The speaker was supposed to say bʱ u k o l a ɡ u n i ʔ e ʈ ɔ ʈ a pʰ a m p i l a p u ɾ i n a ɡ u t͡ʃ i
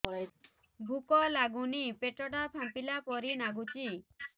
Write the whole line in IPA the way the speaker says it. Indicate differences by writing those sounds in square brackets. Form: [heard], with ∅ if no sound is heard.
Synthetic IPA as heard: bʱ u k [ɔ] l a ɡ u n i [p] e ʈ ɔ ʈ a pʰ a m p i l a p [ɔ] ɾ i n a ɡ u t͡ʃ i